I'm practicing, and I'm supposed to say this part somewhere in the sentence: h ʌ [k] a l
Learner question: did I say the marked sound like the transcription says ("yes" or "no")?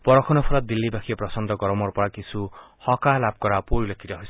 yes